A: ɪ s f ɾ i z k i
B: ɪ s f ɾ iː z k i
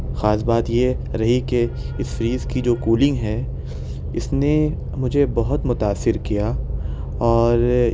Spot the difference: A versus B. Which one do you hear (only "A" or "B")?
B